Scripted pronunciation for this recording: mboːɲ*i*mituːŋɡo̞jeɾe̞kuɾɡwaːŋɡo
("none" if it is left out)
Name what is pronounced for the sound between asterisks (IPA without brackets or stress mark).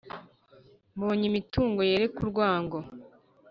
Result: i